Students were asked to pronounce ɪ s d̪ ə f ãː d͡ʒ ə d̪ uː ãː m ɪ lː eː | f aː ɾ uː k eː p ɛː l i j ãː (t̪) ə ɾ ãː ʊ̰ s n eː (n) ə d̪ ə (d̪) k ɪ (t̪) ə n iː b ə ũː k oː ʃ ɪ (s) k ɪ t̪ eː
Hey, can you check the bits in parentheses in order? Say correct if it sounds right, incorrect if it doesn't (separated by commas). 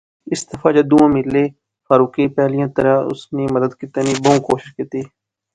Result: correct, incorrect, correct, correct, incorrect